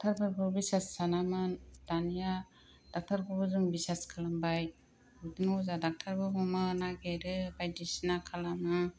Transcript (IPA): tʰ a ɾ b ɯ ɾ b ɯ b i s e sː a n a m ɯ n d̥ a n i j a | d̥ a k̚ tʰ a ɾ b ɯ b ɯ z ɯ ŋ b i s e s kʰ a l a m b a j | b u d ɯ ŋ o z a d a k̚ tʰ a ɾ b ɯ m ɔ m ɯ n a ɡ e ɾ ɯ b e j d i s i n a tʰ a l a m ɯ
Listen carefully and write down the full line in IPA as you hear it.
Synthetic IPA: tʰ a ɾ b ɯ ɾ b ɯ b i s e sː a n a m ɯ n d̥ a n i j a | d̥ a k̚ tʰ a ɾ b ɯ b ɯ z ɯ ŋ b i s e s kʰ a l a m b a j | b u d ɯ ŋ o z a d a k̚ tʰ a ɾ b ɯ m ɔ m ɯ n a ɡ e ɾ ɯ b a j d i s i n a kʰ a l a m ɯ